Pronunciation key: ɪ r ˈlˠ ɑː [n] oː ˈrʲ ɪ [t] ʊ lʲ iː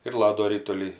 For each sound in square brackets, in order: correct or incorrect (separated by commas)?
incorrect, correct